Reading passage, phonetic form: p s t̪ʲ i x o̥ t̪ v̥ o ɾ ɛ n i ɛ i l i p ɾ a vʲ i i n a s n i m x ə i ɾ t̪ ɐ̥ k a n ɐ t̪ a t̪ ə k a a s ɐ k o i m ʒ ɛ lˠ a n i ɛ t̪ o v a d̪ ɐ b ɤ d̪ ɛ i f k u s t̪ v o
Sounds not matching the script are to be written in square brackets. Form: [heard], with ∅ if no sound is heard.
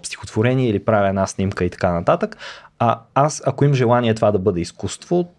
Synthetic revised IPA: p s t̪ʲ i x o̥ t̪ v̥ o ɾ ɛ n i ɛ i l i p ɾ a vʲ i [ɛ] n a s n i m [k] ə i [∅] t̪ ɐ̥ k a n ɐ t̪ a t̪ ə k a a s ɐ k o i m ʒ ɛ lˠ a n i ɛ t̪ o v a d̪ ɐ b ɤ d̪ ɛ i [s] k u s t̪ v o